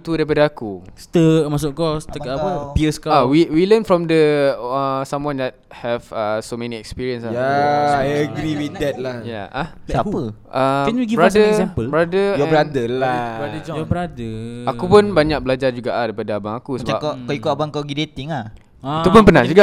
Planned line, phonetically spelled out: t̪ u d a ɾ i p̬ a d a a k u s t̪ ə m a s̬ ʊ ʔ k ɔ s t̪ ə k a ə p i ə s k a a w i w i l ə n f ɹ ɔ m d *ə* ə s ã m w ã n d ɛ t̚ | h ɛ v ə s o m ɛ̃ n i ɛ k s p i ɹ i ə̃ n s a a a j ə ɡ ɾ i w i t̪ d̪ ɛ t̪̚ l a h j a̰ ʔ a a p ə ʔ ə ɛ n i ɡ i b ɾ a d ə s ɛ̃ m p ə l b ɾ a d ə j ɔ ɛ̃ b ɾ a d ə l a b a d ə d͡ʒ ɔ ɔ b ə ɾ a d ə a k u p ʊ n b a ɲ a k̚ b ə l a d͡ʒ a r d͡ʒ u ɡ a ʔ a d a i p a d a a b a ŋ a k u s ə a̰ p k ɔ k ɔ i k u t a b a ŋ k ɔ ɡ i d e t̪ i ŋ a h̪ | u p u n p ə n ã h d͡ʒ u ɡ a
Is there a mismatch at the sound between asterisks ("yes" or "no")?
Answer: no